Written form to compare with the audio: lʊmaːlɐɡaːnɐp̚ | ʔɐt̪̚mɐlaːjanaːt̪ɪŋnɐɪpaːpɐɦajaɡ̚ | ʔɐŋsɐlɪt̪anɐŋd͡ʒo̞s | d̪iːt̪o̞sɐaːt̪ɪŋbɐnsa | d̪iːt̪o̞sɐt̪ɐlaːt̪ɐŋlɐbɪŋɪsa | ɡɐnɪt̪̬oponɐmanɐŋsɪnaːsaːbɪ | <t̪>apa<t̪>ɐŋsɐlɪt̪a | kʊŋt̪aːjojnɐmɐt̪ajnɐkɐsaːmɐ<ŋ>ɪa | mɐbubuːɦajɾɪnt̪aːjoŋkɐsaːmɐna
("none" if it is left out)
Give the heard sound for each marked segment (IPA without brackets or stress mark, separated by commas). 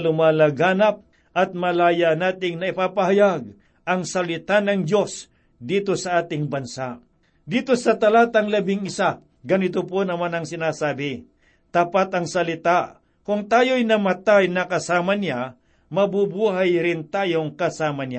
t̪, t̪, n